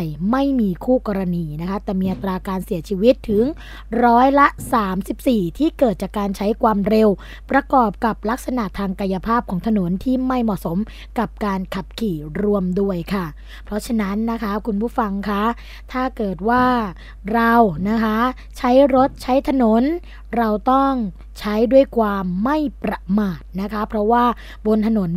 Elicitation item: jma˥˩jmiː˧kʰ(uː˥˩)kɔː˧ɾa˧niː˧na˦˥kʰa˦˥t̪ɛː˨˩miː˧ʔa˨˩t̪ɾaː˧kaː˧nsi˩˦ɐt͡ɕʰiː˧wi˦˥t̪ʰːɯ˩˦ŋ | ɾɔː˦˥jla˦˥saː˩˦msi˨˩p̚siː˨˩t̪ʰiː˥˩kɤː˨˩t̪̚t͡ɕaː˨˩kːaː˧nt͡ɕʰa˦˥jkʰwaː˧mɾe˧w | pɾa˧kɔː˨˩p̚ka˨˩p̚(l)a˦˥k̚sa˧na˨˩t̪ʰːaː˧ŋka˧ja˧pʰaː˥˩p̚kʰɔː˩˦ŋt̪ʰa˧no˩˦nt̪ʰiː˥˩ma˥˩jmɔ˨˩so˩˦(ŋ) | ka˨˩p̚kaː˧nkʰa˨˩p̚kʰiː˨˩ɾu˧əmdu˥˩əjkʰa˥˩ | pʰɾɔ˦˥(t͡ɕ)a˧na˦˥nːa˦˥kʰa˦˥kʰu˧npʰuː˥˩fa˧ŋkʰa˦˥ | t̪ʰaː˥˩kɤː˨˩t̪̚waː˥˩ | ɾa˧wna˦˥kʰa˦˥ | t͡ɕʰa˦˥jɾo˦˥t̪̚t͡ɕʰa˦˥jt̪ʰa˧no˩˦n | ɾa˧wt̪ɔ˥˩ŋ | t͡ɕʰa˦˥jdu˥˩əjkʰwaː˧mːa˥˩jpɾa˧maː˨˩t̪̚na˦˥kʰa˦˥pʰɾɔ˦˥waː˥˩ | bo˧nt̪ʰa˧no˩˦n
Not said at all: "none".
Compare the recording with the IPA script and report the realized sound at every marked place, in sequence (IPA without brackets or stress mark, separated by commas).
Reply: uː˥˩, l, m, t͡ɕʰ